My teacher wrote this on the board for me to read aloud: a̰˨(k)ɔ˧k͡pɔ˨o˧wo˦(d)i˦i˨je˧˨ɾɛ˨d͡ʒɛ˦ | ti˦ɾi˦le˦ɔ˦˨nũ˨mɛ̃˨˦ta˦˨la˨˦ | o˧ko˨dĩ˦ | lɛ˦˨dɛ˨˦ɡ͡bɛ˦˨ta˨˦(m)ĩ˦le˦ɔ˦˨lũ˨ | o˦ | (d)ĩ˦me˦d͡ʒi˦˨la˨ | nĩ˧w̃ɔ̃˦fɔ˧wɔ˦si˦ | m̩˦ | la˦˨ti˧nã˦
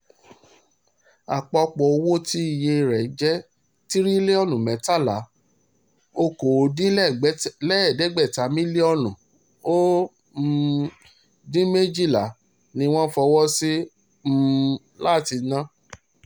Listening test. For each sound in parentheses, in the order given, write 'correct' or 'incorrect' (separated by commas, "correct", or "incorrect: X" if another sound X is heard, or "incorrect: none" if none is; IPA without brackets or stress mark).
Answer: incorrect: k͡p, incorrect: t, correct, correct